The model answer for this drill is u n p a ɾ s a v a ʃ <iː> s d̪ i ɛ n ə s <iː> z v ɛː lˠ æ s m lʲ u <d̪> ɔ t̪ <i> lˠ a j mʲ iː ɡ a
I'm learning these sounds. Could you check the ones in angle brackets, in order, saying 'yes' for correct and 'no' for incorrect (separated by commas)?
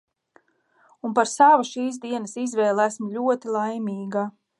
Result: yes, no, no, yes